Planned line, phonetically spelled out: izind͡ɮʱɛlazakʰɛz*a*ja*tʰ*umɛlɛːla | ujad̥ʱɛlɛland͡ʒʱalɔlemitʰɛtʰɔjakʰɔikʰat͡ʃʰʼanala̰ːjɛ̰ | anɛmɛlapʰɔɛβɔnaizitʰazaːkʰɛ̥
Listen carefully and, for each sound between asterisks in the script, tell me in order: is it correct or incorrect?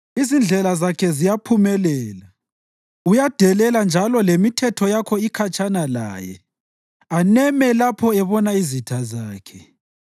incorrect: i, incorrect: pʰ

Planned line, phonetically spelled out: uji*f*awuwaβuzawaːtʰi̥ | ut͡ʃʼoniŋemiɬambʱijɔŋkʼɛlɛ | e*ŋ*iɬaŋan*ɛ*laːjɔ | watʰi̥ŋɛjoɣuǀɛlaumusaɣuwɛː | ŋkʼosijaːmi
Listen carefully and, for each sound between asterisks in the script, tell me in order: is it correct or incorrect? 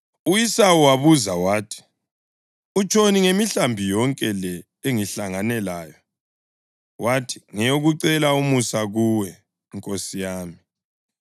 incorrect: s, correct, correct

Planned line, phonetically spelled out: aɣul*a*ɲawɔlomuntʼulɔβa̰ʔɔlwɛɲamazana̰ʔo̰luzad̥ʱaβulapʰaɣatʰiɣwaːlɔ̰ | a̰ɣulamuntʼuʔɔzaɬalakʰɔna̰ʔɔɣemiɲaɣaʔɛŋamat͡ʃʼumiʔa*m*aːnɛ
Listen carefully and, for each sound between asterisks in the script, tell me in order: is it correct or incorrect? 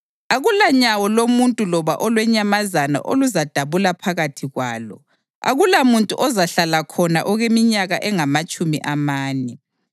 correct, correct

